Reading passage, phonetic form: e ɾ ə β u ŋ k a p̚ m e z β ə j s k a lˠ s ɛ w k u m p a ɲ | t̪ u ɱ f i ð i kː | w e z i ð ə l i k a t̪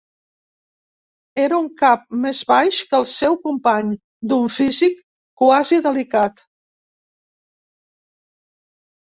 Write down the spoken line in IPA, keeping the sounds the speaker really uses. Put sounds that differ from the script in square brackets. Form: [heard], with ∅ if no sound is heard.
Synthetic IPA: e ɾ ə [∅] u ŋ k a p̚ m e z β [a] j [ʃ] k [ə] lˠ s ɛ w k u m p a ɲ | [d̪] u ɱ f i [z] i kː | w [a] z i ð ə l i k a t̪